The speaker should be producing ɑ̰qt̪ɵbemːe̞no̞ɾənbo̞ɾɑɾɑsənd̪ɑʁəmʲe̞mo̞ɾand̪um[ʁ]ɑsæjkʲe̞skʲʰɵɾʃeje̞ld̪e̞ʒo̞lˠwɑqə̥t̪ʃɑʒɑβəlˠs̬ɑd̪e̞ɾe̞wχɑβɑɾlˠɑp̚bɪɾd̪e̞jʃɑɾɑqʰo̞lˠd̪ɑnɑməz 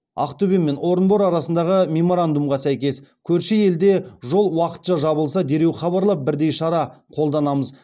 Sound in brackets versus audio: correct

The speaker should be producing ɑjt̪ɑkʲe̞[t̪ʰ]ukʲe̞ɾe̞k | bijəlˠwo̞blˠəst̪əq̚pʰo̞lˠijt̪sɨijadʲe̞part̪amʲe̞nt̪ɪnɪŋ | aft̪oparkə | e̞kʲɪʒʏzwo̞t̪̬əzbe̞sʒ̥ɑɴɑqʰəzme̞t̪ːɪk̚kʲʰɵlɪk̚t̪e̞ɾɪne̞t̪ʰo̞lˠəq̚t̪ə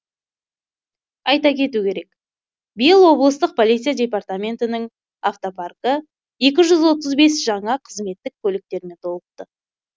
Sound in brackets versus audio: incorrect: t̪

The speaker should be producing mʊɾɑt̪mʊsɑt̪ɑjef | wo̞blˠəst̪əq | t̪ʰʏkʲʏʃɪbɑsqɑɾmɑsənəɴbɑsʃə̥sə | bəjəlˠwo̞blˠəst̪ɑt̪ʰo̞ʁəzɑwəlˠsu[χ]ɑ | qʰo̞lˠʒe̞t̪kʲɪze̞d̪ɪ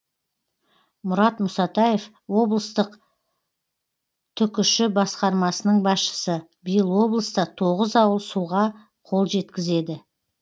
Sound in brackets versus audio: incorrect: ʁ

